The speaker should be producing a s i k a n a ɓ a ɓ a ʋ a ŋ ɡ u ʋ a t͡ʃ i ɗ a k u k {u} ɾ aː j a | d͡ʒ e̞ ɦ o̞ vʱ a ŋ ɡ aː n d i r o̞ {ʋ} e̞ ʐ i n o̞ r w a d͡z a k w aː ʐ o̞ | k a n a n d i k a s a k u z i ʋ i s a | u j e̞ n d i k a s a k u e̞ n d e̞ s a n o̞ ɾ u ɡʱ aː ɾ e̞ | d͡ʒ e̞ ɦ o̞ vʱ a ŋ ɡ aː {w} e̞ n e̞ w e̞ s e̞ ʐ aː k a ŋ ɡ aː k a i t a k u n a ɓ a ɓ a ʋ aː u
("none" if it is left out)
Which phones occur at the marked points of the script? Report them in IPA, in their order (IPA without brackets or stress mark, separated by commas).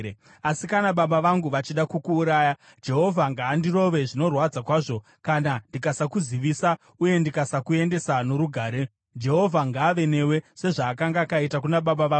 uː, ʋ, ʋ